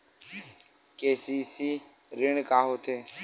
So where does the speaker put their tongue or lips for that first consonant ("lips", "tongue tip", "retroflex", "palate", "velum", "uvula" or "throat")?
velum